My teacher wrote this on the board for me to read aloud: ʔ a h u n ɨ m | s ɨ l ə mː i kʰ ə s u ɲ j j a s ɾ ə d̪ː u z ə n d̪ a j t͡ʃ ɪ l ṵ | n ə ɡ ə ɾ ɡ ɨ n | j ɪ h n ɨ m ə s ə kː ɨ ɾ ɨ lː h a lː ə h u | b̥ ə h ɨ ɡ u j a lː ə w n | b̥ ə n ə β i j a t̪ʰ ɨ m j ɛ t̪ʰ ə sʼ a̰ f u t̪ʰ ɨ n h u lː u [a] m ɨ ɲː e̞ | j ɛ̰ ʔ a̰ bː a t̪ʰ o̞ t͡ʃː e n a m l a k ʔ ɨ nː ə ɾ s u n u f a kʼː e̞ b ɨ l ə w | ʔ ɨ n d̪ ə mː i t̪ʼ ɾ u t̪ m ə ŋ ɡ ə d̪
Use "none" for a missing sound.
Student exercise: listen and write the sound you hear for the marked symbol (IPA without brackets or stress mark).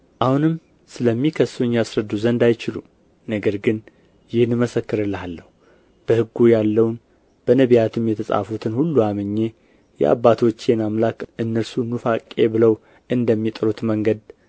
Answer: a